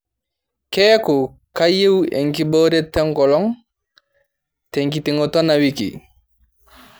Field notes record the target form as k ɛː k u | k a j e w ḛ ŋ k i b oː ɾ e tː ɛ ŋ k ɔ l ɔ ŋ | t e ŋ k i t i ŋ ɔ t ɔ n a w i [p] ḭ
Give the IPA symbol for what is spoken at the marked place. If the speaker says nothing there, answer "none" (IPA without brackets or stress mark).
k